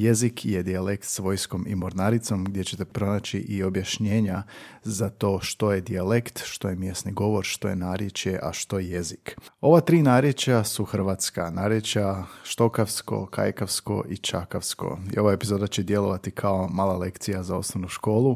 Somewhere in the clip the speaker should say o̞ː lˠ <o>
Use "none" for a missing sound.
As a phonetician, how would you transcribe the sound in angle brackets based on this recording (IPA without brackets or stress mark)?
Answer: u